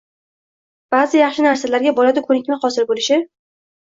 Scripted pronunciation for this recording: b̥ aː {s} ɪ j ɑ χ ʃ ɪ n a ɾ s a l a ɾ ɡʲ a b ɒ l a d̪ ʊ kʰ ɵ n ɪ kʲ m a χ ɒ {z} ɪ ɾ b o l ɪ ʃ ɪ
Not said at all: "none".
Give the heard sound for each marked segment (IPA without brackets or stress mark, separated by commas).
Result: z, s